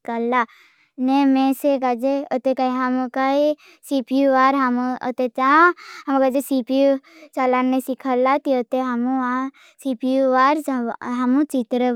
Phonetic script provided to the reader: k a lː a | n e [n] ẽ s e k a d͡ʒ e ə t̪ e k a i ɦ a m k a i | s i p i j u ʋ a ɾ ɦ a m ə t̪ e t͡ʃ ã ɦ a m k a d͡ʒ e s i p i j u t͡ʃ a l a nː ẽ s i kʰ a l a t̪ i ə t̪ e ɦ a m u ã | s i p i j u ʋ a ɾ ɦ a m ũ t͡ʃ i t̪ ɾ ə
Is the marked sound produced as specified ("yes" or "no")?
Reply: no